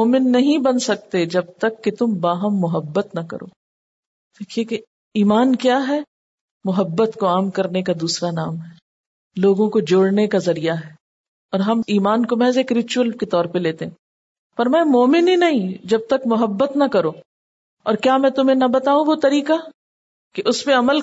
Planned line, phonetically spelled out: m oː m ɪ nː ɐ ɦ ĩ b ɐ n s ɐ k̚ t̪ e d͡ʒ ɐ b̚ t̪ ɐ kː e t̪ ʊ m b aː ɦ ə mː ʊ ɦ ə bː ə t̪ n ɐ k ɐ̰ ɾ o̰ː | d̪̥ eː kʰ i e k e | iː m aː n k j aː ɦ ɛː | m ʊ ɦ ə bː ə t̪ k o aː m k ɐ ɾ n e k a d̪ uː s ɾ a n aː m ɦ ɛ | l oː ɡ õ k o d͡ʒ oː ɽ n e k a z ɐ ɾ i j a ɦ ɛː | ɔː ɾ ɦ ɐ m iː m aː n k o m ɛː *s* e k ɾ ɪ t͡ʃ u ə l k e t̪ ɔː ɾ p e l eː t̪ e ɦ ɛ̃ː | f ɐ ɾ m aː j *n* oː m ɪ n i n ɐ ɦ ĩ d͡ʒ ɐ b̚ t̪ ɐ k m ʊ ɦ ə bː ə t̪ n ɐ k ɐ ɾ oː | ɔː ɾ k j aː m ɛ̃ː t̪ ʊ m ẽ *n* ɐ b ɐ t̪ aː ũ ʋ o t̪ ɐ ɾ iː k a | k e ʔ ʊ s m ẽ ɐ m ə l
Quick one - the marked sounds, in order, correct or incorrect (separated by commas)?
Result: incorrect, incorrect, correct